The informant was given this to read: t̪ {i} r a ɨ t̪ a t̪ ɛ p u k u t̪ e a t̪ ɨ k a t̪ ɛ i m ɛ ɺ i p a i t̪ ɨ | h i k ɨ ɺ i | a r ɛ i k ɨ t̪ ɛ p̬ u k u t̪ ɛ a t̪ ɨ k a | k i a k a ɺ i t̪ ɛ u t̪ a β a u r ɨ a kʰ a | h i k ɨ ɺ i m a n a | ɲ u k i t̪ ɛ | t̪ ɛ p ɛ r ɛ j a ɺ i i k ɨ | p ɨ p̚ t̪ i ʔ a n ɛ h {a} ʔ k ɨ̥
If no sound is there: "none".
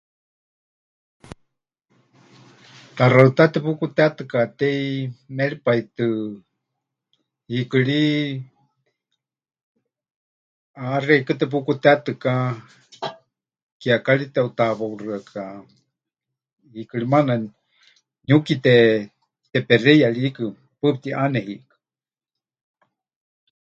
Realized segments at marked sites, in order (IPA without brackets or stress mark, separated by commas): a, i